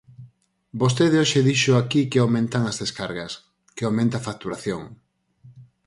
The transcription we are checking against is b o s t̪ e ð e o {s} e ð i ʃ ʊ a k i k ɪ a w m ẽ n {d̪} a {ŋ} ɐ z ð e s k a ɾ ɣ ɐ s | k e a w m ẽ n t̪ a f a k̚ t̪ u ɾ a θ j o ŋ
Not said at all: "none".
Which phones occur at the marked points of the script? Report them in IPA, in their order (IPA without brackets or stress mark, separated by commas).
ʃ, t̪, ŋ